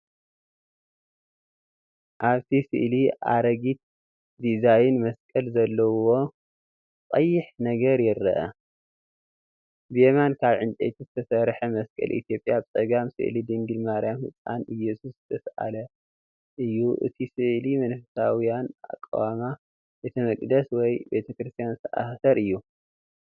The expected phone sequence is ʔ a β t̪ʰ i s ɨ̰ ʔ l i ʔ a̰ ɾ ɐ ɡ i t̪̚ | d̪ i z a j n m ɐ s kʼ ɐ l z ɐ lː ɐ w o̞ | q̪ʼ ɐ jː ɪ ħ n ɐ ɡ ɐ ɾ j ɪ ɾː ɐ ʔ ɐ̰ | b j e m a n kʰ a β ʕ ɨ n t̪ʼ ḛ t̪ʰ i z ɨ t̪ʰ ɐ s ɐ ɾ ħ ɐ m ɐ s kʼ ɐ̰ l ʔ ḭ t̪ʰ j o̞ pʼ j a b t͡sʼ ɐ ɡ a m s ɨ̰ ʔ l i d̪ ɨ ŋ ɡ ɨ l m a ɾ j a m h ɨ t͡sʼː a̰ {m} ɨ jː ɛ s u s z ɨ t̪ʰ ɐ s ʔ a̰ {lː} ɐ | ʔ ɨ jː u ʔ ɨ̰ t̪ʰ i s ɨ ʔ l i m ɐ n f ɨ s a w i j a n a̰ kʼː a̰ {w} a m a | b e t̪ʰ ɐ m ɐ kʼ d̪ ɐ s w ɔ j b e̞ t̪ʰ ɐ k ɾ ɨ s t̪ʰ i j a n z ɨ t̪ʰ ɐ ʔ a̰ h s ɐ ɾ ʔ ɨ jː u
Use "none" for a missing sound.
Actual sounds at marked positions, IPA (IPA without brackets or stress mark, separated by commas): n, l, w